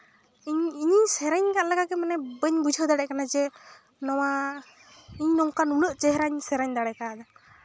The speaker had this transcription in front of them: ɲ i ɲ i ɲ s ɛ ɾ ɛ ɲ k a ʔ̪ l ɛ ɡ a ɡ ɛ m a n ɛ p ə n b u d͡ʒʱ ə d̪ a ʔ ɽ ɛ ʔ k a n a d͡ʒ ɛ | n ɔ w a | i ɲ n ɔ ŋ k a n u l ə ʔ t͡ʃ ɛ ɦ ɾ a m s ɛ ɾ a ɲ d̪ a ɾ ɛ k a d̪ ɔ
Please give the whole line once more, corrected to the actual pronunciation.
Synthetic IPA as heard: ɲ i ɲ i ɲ s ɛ ɾ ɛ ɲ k a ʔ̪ l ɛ ɡ a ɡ ɛ m a n ɛ b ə ɲ b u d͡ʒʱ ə d̪ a ɽ ɛ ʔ k a n a d͡ʒ ɛ | n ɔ w a | i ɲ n ɔ ŋ k a n u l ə ʔ t͡ʃ ɛ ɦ ɾ a ɲ s ɛ ɾ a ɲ d̪ a ɽ ɛ k a d̪ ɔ